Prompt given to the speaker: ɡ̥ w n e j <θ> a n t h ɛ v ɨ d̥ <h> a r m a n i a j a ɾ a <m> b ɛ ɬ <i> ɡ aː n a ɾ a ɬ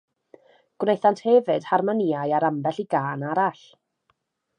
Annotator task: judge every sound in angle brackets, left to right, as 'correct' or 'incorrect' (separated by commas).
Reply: correct, correct, correct, correct